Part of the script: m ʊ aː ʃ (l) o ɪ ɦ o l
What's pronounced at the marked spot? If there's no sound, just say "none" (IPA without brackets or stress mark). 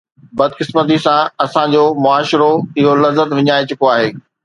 ɾ